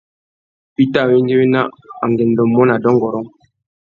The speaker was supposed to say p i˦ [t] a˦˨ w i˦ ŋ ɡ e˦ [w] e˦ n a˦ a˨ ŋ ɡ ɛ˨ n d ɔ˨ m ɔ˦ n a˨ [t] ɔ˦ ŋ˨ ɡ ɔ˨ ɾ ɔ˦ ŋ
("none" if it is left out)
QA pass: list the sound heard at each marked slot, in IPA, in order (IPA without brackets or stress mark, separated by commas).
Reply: t, w, d